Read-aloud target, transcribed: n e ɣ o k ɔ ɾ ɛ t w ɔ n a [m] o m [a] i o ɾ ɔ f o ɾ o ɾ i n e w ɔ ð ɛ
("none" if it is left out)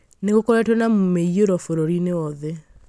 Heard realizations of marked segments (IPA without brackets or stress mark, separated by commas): m, e